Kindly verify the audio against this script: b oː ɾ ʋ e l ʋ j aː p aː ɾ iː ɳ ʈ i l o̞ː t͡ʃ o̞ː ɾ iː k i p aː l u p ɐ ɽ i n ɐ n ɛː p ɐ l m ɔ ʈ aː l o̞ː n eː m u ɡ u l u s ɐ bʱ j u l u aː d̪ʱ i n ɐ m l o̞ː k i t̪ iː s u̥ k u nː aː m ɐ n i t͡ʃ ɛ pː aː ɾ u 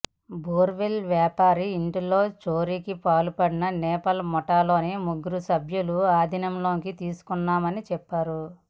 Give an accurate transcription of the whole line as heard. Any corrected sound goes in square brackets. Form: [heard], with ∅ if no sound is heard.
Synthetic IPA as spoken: b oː ɾ ʋ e l ʋ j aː p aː ɾ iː ɳ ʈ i l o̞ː t͡ʃ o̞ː ɾ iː k i p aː l u p ɐ ɽ i n ɐ n ɛː p ɐ l m ɔ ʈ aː l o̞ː n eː m u ɡ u [ɾ] u s ɐ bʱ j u l u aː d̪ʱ i n ɐ m l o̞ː k i t̪ iː s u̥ k u nː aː m ɐ n i t͡ʃ ɛ pː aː ɾ u